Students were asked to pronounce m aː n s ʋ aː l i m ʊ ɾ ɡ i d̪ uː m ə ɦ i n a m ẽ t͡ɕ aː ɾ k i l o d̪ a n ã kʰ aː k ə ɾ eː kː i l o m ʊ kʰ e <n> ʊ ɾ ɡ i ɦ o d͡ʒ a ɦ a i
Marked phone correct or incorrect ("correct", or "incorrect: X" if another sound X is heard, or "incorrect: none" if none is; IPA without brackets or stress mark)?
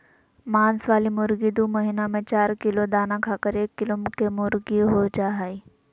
incorrect: m